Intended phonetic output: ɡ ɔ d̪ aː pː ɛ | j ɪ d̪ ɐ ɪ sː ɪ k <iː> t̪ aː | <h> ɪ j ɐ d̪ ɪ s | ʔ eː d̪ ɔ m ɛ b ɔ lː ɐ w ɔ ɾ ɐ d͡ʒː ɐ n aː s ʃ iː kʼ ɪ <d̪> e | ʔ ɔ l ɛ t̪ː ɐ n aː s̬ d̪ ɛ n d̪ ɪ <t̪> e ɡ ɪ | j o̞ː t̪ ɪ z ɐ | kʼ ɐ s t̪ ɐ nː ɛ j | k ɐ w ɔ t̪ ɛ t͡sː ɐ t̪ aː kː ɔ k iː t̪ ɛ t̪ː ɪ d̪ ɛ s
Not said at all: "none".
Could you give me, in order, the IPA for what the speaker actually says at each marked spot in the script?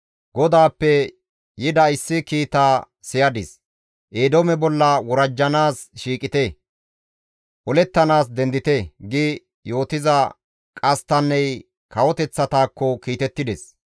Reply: iː, s, t̪, t̪

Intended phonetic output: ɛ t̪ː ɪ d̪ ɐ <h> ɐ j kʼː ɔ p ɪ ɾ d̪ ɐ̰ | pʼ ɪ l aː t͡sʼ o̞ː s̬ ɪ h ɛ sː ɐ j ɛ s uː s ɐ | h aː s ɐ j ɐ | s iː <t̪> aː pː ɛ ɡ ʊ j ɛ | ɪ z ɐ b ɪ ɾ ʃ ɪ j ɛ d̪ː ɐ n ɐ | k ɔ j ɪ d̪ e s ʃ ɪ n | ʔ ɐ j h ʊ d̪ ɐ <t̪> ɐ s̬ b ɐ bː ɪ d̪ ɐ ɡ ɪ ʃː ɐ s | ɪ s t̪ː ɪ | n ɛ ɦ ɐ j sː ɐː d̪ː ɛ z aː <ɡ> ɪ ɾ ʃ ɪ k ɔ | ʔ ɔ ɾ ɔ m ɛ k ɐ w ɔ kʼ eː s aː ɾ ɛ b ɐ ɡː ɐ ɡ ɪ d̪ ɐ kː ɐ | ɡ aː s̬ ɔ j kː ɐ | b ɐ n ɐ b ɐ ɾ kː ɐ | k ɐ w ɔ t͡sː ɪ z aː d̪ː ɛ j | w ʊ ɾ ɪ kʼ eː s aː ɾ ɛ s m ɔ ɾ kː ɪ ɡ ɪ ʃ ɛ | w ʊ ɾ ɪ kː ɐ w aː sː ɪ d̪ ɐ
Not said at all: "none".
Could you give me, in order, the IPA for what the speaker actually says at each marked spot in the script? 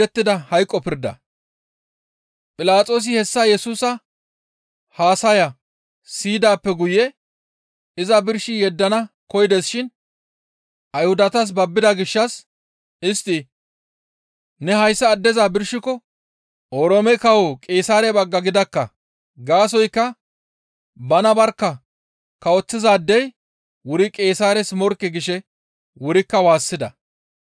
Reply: h, d̪, t̪, b

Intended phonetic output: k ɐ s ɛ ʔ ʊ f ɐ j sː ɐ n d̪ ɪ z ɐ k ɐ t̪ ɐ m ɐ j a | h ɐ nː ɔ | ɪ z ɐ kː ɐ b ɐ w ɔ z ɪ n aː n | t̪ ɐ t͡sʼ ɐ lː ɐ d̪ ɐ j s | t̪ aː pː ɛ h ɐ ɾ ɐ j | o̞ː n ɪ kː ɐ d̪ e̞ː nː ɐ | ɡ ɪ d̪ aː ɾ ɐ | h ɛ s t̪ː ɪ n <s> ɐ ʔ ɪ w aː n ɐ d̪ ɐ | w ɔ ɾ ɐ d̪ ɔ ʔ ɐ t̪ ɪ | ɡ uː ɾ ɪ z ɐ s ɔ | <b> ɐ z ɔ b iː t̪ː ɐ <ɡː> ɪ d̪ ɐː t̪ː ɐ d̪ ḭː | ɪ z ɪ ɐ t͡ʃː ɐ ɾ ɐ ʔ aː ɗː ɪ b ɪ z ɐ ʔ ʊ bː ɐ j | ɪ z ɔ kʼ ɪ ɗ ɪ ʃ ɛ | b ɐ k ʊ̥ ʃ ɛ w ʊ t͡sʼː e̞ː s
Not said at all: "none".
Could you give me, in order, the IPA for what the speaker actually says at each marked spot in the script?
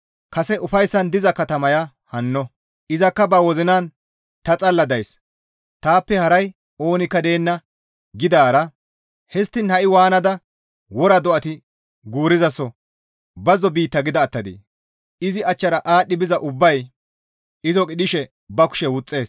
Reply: h, b, ɡ

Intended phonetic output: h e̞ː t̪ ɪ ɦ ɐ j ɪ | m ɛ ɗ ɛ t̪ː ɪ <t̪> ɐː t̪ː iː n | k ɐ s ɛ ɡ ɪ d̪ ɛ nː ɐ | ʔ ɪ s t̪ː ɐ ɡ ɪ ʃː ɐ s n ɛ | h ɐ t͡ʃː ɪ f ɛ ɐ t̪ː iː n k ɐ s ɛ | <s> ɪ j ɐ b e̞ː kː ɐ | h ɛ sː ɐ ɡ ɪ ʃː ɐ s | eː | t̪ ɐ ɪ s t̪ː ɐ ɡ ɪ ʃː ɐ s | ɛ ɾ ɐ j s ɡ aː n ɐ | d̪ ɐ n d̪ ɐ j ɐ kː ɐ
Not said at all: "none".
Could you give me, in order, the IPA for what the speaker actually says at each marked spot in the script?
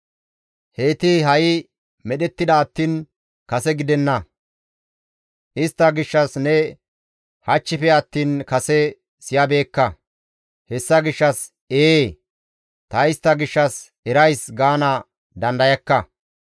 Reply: d̪, s

